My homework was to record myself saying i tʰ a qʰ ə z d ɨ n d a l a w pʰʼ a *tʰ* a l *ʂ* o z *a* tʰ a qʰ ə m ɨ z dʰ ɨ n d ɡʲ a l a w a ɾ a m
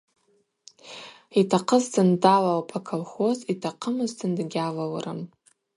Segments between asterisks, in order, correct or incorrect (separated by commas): incorrect, incorrect, incorrect